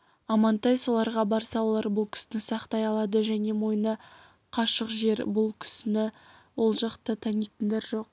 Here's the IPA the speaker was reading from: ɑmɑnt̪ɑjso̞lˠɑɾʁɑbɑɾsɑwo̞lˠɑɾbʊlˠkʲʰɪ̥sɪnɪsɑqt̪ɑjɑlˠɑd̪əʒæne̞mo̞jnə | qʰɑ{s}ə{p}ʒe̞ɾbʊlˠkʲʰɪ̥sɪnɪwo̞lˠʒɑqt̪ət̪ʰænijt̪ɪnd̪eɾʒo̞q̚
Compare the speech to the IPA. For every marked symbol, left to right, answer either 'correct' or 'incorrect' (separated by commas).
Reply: incorrect, incorrect